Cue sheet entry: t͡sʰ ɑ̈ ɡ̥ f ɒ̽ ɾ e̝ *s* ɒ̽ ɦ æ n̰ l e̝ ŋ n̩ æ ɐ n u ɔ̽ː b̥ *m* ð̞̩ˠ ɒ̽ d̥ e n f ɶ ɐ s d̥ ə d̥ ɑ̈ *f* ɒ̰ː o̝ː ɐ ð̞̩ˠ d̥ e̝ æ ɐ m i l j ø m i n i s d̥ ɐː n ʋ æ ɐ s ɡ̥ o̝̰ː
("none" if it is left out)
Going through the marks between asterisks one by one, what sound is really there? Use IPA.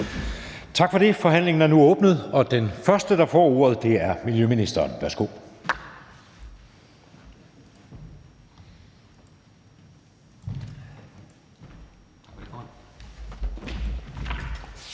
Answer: f, n, f

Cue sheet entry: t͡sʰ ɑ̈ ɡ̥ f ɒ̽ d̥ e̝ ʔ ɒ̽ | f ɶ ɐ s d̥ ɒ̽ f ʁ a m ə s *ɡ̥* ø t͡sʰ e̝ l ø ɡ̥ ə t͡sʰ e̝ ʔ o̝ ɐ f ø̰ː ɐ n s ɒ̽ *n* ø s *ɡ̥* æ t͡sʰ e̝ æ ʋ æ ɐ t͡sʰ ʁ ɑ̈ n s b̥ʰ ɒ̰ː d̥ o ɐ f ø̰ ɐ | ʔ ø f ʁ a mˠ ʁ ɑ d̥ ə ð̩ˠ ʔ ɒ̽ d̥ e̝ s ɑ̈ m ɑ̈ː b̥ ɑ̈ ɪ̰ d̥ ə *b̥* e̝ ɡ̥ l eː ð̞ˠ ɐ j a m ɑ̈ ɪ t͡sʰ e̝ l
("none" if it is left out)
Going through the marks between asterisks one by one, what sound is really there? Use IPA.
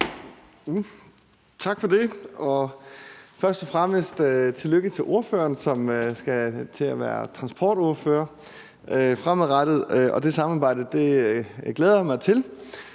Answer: d̥, m, ɡ̥, d̥

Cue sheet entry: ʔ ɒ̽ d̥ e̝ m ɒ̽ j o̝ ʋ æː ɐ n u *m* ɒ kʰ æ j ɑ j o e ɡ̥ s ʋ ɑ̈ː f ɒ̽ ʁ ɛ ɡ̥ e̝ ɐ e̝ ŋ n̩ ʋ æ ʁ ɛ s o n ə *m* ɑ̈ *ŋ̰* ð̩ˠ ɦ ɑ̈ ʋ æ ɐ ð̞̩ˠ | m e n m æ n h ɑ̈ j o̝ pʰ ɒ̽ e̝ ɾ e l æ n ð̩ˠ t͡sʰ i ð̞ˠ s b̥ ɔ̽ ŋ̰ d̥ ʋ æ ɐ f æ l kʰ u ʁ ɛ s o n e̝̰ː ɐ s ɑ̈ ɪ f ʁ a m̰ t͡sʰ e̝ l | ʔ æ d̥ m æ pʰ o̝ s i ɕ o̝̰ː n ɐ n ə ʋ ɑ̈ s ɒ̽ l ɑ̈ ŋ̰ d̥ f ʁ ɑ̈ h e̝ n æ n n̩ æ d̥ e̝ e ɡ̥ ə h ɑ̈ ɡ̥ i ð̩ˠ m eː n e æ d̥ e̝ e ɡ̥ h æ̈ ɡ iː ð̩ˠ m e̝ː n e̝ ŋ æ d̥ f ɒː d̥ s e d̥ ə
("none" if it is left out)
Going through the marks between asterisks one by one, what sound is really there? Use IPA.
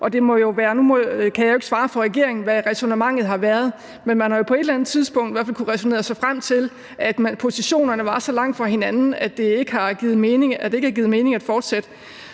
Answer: m, m, ŋ̰

